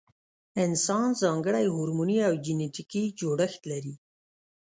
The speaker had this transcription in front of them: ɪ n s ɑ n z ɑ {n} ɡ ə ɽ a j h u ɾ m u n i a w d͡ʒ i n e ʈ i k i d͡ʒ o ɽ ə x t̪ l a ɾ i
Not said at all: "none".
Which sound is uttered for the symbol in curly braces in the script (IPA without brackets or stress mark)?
ŋ